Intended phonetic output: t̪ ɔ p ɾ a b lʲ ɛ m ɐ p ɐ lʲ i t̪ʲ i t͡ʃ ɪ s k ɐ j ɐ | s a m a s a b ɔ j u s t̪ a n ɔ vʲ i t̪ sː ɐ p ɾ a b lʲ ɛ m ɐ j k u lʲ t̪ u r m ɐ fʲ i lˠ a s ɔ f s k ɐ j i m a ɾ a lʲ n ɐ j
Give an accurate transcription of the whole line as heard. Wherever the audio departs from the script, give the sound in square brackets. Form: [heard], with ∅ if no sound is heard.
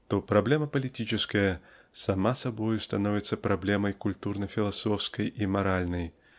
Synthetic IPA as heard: t̪ ɔ p ɾ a b lʲ ɛ m ɐ p ɐ lʲ i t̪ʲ i t͡ʃ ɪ s k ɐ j ɐ | s a m a s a b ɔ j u s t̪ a n ɔ vʲ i t̪ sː ɐ p ɾ a b lʲ ɛ m ɐ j k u lʲ t̪ u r [n] ɐ fʲ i lˠ a s ɔ f s k ɐ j i m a ɾ a lʲ n ɐ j